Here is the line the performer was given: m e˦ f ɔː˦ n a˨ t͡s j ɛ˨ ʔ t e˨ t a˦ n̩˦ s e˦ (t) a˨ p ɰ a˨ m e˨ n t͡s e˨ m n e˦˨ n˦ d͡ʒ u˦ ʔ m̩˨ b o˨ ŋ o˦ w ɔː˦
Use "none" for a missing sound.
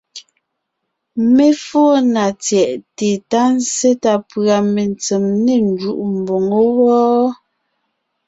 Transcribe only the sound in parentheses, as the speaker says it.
t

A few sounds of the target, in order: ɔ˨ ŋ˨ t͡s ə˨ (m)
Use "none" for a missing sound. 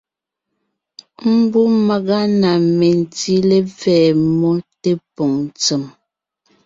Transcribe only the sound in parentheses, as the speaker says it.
m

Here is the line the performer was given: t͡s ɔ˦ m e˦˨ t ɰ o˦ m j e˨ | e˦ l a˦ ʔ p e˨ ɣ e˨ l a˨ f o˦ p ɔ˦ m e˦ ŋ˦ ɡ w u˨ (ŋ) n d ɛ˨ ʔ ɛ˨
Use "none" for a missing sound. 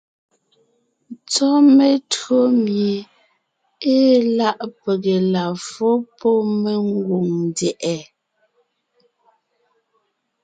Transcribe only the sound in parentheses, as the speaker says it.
ŋ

